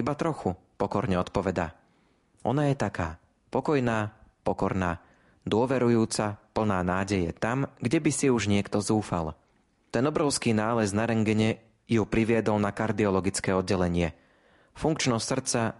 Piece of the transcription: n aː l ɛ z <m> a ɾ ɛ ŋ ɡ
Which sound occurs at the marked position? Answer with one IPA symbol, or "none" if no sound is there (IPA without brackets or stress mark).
n